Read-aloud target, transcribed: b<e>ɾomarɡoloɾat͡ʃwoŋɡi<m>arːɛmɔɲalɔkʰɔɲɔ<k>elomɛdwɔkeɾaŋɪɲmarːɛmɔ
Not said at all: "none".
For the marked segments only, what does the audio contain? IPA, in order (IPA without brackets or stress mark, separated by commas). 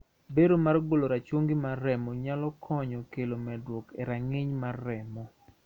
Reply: e, m, k